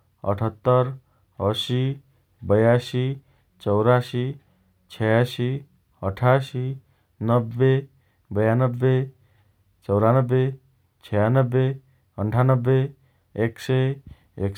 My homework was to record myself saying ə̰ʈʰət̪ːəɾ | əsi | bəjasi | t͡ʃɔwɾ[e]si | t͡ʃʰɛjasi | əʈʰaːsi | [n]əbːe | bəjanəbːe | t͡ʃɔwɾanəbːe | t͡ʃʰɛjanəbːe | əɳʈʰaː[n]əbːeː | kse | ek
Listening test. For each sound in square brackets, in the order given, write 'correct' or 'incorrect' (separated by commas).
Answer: incorrect, correct, correct